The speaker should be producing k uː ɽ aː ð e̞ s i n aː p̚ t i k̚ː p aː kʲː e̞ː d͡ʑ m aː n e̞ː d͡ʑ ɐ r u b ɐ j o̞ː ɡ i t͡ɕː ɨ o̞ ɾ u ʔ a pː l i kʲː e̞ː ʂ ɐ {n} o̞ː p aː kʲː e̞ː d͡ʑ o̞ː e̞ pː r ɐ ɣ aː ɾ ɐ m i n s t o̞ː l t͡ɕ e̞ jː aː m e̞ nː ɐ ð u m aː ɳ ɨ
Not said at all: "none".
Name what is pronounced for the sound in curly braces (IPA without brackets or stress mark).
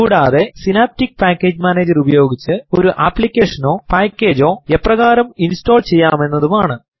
n